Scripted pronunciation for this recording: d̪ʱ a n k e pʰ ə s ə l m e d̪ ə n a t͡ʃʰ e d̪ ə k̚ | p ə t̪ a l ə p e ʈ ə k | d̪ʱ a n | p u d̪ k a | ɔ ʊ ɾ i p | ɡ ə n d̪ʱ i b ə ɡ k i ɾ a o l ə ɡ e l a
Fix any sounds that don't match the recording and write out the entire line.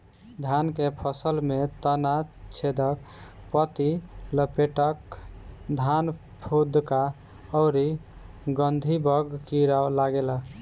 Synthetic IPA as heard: d̪ʱ a n k e pʰ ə s ə l m e t̪ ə n a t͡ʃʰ e d̪ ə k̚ | p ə t̪ i l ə p e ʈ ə k | d̪ʱ a n | pʰ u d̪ k a | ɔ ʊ ɾ i | ɡ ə n d̪ʱ i b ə ɡ k i ɾ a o l a ɡ e l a